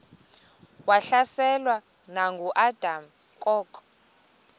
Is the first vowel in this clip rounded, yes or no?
no